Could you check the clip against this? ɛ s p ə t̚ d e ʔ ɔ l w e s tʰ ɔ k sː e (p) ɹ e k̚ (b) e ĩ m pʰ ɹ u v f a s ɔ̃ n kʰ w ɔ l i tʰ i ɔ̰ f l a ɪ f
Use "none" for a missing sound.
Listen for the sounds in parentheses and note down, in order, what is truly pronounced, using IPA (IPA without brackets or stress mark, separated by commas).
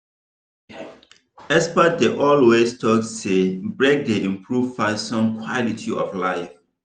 b, d